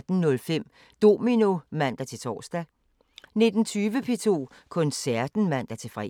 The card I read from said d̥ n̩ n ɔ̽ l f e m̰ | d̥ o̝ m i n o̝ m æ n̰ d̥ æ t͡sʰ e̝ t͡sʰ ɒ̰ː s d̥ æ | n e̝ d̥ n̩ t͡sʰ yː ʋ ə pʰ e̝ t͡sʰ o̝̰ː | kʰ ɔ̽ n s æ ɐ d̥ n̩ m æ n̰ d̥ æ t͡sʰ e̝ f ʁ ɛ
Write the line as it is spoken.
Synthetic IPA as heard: d̥ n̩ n ɔ̽ l f e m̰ | d̥ o̝ m i n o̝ m æ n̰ d̥ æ t͡sʰ e̝ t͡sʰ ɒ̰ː s d̥ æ | n e̝ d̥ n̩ t͡sʰ yː ʋ ə pʰ e̝ t͡sʰ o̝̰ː | kʰ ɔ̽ n s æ ɐ d̥ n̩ m æ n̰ d̥ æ t͡sʰ e̝ f ʁ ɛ